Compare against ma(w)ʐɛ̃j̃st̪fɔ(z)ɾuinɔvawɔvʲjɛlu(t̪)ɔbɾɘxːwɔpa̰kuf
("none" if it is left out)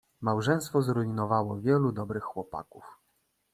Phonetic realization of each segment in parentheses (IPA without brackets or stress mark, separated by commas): w, z, d̪